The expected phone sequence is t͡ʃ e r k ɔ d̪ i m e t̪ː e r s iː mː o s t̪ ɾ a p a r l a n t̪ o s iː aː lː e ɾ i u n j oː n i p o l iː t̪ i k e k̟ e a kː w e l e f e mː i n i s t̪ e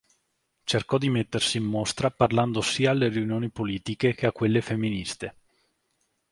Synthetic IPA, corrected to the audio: t͡ʃ e r k ɔ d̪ i m e t̪ː e r s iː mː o s t̪ ɾ a p a r l a n d̪ o s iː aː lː e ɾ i u n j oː n i p o l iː t̪ i k e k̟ e a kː w e lː e f e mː i n i s t̪ e